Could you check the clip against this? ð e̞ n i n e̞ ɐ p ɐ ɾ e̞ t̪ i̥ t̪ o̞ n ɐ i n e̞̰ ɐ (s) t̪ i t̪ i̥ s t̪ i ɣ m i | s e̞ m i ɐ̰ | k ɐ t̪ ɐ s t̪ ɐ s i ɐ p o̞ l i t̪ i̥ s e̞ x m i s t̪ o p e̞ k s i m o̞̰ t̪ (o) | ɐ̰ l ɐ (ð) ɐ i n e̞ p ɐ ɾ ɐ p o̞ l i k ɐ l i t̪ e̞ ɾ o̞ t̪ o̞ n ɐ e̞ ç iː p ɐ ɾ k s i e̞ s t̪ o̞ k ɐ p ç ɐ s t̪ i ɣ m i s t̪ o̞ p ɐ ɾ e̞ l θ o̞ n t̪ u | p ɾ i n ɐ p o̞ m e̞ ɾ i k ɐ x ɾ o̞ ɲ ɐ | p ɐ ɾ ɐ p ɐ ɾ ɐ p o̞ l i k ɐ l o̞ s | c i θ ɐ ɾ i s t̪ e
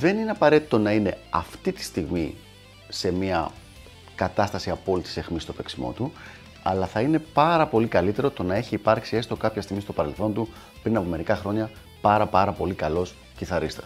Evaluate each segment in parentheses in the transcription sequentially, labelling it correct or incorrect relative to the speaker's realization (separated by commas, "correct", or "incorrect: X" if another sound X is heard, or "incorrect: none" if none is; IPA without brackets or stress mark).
incorrect: f, incorrect: u, incorrect: θ